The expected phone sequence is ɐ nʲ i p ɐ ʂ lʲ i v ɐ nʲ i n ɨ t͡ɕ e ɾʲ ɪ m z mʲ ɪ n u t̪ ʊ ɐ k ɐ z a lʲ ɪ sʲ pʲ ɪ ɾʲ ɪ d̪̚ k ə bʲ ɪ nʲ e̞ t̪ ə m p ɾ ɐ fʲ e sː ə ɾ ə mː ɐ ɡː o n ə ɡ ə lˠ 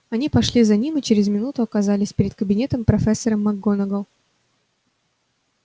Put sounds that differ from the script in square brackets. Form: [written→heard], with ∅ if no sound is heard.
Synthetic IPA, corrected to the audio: ɐ nʲ i p ɐ ʂ lʲ i [v→z] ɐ nʲ i [n→m] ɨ t͡ɕ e ɾʲ ɪ [m→∅] z mʲ ɪ n u t̪ ʊ ɐ k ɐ z a lʲ ɪ sʲ pʲ ɪ ɾʲ ɪ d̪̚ k ə bʲ ɪ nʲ e̞ t̪ ə m p ɾ ɐ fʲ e sː ə ɾ ə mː ɐ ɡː o n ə ɡ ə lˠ

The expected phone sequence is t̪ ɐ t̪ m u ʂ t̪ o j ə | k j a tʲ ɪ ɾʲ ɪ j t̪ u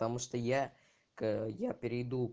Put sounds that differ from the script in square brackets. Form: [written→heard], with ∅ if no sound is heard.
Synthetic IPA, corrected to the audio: t̪ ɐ [t̪→∅] m u ʂ t̪ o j [ə→a] | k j a [tʲ→pʲ] ɪ ɾʲ ɪ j [t̪→d̪] u

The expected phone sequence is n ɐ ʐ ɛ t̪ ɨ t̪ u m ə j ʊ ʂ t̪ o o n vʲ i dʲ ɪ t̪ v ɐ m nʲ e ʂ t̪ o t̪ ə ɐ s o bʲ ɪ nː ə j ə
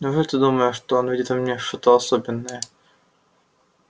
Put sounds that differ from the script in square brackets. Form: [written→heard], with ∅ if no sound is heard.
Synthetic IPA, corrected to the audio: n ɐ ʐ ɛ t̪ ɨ [t̪→d̪] u m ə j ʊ ʂ t̪ o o n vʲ i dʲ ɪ t̪ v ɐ m nʲ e ʂ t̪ o t̪ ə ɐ s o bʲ ɪ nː ə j ə

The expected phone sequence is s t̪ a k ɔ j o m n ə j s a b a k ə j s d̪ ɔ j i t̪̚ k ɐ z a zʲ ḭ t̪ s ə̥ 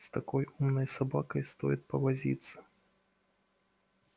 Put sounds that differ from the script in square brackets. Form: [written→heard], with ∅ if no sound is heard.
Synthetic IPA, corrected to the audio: s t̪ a k ɔ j [o→u] m n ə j s a b a k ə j s [d̪→t̪] ɔ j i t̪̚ [k→p] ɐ [z→v] a zʲ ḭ t̪ s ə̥

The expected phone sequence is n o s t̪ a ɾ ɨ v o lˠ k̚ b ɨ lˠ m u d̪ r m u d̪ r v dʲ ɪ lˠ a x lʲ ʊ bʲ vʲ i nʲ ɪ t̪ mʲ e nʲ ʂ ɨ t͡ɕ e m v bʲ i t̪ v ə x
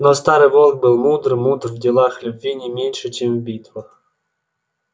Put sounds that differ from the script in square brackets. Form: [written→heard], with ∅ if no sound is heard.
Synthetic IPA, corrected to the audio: n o s t̪ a ɾ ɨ v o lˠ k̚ b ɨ lˠ m u d̪ r m u d̪ r v dʲ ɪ lˠ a x lʲ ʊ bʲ vʲ i nʲ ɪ [t̪→∅] mʲ e nʲ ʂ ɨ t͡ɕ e m v bʲ i t̪ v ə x

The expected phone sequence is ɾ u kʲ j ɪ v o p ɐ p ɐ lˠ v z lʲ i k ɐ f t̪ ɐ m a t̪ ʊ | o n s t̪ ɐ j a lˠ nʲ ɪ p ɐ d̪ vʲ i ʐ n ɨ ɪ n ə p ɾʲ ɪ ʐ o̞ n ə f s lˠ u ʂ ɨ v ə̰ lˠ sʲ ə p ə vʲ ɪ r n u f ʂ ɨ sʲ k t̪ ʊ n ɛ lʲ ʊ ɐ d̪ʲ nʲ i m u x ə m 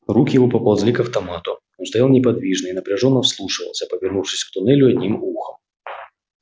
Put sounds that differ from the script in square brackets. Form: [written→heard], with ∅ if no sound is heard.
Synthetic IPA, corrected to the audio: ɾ u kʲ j ɪ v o p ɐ p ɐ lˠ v z lʲ i k ɐ f t̪ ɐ m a t̪ ʊ | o n s t̪ ɐ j a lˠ nʲ ɪ p ɐ d̪ vʲ i ʐ n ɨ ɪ n ə p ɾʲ ɪ ʐ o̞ [n→nː] ə f s lˠ u ʂ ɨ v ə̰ lˠ sʲ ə p ə vʲ ɪ r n u f ʂ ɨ sʲ k t̪ ʊ n ɛ lʲ ʊ ɐ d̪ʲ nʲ i m u x ə m

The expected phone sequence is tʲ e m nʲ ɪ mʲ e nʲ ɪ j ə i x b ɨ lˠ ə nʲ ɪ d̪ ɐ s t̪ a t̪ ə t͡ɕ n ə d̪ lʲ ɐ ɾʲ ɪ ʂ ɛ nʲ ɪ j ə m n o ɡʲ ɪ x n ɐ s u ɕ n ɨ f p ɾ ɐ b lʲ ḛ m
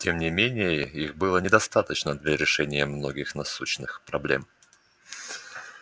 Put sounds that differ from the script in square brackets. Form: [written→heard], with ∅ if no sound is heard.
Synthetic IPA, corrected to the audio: tʲ e m nʲ ɪ mʲ e nʲ ɪ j ə i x b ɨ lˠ ə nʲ ɪ d̪ ɐ s t̪ a t̪ ə t͡ɕ n ə d̪ lʲ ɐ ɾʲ ɪ ʂ ɛ nʲ ɪ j ə m n o ɡʲ ɪ x n ɐ s u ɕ n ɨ [f→x] p ɾ ɐ b lʲ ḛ m

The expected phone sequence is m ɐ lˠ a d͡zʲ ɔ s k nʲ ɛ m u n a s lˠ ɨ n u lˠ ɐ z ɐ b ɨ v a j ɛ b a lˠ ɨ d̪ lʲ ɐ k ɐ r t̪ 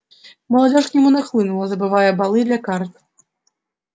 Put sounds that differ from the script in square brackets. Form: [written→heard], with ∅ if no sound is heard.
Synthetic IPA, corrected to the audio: m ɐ lˠ a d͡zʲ ɔ [s→ʂ] k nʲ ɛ m u n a [s→x] lˠ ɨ n u lˠ ɐ z ɐ b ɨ v a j ɛ b a lˠ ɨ d̪ lʲ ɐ k [ɐ→a] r t̪

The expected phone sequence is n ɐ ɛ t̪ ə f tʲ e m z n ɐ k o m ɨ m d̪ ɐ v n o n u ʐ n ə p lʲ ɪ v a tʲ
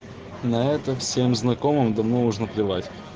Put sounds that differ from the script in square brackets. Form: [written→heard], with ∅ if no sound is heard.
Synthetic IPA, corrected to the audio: n ɐ ɛ t̪ ə f [tʲ→sʲ] e m z n ɐ k o m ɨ m d̪ ɐ v n o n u ʐ n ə p lʲ ɪ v a tʲ

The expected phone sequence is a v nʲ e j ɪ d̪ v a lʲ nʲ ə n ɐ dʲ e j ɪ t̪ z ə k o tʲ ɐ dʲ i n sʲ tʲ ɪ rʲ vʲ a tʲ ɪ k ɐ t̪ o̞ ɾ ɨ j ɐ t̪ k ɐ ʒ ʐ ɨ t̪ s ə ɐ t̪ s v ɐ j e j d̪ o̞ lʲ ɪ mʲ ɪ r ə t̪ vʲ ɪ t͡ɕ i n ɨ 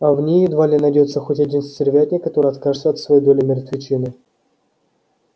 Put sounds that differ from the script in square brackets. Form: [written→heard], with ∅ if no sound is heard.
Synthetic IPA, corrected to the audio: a v nʲ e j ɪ d̪ v a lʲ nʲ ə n ɐ dʲ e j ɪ t̪ [z→s] ə [k→x] o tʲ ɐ dʲ i n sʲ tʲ ɪ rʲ vʲ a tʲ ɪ k ɐ t̪ o̞ ɾ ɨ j ɐ t̪ k [ɐ→a] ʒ ʐ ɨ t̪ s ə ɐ t̪ s v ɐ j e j d̪ o̞ lʲ ɪ mʲ ɪ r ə t̪ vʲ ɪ t͡ɕ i n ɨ

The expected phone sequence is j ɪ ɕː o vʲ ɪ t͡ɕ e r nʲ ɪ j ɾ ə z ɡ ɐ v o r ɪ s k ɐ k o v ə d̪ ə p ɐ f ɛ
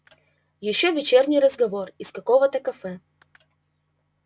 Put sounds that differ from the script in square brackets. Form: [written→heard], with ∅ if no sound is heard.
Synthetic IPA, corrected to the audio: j ɪ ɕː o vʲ ɪ t͡ɕ e r nʲ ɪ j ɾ ə z ɡ ɐ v o r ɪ s k ɐ k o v ə [d̪→t̪] ə [p→k] ɐ f ɛ

